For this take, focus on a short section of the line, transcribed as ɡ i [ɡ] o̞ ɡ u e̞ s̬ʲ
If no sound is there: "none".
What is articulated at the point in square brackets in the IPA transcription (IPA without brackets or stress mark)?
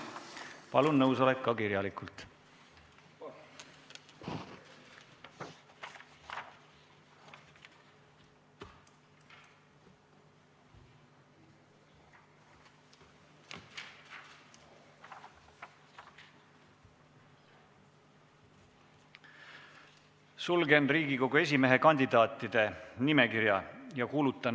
k